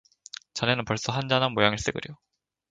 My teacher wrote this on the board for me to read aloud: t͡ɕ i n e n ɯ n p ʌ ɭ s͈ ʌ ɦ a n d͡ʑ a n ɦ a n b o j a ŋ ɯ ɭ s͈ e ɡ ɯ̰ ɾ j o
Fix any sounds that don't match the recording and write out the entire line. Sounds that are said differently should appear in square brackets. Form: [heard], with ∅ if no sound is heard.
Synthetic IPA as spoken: t͡ɕ [a] n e n ɯ n p ʌ ɭ s͈ ʌ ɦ a n d͡ʑ a n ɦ a n [m] o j a ŋ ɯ ɭ s͈ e ɡ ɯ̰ ɾ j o